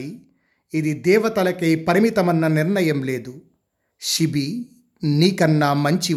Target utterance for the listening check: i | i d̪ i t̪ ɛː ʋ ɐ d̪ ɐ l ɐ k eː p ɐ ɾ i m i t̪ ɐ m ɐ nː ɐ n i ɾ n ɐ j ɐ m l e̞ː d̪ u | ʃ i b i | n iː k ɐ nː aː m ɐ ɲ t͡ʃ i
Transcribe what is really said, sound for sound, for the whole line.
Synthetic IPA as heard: i | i d̪ i d̪ ɛː ʋ ɐ t̪ ɐ l ɐ k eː p ɐ ɾ i m i t̪ ɐ m ɐ nː ɐ n i ɾ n ɐ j ɐ m l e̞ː d̪ u | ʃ i b i | n iː k ɐ nː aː m ɐ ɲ t͡ʃ i